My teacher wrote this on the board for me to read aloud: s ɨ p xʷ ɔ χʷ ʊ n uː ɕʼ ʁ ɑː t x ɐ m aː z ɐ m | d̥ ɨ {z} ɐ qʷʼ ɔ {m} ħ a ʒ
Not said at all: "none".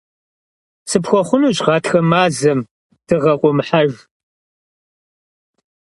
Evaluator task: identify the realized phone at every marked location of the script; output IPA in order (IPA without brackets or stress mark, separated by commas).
ʁ, m